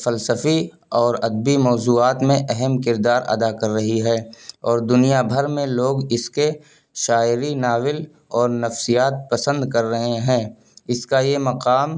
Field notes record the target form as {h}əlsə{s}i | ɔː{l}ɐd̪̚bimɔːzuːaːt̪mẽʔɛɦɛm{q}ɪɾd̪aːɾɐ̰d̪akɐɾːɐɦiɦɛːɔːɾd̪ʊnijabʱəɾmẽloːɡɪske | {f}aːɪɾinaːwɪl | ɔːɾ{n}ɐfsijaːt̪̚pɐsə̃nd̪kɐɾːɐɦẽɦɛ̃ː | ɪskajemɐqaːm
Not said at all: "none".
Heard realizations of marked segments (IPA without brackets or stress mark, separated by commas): f, f, ɾ, k, ʃ, n